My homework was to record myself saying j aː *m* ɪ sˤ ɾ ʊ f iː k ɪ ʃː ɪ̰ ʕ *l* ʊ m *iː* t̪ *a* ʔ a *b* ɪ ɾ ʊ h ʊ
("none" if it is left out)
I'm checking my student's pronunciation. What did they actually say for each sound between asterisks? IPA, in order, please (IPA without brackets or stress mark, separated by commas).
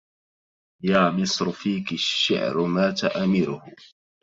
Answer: m, ɾ, aː, a, m